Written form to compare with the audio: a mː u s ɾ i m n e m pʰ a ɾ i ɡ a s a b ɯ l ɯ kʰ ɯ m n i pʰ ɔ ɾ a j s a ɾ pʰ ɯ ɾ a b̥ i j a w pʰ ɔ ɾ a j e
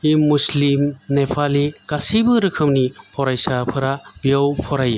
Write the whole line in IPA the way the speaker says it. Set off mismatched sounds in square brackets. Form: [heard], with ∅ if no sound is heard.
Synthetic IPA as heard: [i] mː u s [l] i m n e [∅] pʰ a [l] i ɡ a s [i] b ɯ [ɾ] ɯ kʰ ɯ m n i pʰ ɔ ɾ a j s a [∅] pʰ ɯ ɾ a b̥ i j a w pʰ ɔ ɾ a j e